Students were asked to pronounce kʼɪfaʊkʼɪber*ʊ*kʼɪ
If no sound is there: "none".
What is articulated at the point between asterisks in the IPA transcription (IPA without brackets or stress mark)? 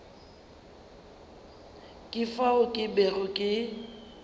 ʊ